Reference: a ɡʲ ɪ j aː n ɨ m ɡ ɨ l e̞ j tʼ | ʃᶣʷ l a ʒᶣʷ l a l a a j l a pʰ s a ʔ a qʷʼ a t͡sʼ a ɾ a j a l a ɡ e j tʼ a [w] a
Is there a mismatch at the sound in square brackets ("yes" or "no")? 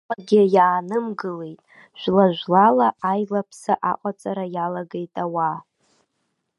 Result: no